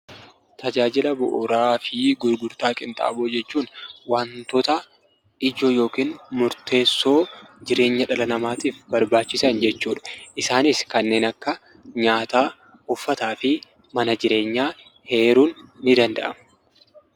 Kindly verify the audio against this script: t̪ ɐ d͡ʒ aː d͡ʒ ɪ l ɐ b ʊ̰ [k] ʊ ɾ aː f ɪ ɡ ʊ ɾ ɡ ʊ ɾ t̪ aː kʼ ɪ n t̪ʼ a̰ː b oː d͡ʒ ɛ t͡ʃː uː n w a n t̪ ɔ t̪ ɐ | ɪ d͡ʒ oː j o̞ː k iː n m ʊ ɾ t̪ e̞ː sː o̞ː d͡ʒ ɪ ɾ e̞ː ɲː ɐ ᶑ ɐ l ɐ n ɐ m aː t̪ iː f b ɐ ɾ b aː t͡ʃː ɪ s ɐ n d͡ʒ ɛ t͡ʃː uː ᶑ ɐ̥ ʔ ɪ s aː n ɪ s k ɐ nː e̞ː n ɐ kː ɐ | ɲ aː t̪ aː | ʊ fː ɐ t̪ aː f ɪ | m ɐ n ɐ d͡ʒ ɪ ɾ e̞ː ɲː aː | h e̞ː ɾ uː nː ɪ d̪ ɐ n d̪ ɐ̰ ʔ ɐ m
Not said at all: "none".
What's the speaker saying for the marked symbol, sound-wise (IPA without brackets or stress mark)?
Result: ʔ